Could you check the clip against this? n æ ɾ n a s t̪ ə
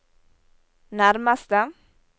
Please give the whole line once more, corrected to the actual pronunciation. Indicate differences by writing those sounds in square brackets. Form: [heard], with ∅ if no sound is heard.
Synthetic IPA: n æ ɾ [m] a s t̪ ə